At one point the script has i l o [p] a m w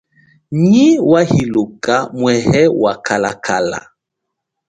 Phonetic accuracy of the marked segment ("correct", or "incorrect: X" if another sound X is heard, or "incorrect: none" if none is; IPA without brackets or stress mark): incorrect: k